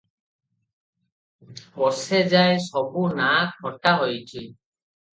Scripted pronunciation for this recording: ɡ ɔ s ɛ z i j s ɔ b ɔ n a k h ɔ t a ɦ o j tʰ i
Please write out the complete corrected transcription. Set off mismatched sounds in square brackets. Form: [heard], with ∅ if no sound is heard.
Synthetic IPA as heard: [b] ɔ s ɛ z [a] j s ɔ b [u] n a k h ɔ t a ɦ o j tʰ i